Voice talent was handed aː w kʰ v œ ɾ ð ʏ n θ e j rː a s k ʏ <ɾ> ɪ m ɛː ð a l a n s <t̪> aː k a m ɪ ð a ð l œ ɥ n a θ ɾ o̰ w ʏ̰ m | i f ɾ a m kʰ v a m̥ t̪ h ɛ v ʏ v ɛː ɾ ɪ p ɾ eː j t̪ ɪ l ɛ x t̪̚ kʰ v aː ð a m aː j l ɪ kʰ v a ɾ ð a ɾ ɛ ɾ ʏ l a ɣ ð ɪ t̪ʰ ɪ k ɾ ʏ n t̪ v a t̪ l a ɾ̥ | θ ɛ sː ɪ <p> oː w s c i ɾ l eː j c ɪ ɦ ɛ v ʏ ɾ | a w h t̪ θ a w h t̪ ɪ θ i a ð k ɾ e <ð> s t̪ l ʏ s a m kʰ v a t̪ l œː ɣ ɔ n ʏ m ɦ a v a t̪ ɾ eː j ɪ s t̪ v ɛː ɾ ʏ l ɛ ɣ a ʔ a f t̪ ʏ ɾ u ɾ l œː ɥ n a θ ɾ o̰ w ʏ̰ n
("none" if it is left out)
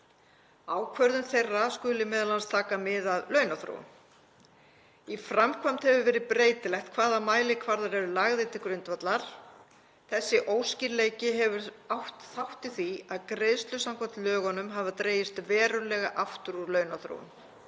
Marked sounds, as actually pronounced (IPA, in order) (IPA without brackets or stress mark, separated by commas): l, t̪ʰ, ʔ, ð